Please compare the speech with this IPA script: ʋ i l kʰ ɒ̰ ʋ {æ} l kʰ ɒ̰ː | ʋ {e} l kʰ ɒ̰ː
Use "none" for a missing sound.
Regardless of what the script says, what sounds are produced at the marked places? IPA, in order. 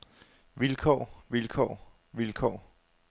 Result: i, i

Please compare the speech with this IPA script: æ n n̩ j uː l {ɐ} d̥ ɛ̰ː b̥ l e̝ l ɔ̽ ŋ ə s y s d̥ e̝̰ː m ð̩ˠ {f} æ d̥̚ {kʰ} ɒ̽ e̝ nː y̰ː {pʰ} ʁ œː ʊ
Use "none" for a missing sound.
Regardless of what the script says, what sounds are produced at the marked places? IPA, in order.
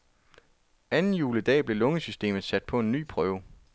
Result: ə, s, pʰ, pʰ

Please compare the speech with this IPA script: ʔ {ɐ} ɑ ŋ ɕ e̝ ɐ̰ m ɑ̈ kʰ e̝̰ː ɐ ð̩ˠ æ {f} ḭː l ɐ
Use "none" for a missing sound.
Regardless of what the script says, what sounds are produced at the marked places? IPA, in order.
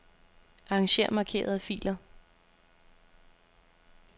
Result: ɑ, f

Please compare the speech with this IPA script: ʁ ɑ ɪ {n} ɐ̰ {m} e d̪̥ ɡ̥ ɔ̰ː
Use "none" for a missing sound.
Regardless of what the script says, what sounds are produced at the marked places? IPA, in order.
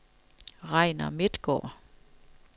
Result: n, m

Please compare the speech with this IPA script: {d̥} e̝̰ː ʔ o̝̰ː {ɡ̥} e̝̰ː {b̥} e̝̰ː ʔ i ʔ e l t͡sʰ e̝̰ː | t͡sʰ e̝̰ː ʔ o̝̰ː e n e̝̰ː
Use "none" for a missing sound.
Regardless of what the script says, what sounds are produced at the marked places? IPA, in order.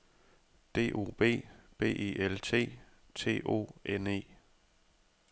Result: d̥, b̥, b̥

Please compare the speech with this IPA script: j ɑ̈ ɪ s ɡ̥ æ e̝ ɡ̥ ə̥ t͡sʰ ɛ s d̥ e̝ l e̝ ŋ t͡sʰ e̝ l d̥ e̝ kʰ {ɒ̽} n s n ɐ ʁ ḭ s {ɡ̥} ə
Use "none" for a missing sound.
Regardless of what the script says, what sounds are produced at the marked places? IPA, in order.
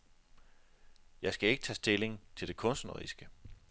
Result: ɔ̽, ɡ̥

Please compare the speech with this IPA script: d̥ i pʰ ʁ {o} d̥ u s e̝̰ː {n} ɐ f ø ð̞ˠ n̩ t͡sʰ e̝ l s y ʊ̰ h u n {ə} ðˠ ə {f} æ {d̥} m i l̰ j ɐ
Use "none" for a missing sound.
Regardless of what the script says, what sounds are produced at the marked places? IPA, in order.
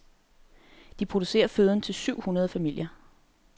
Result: o, none, ɐ, f, none

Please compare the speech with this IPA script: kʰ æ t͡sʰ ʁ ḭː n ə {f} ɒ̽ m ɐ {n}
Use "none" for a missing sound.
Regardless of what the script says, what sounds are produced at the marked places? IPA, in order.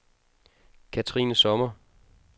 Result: s, none

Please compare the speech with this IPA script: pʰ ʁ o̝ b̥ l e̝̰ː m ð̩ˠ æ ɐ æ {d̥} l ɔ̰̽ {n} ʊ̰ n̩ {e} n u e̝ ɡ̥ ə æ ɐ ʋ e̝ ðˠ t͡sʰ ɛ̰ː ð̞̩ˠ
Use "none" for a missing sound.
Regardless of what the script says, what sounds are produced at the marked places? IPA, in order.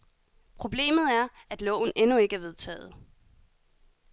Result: d̥, none, e

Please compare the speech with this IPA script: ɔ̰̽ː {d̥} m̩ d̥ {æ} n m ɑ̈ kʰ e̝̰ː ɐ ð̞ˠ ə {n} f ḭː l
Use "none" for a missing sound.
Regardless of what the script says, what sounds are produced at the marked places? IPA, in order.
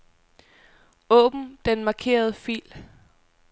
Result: b̥, e, none

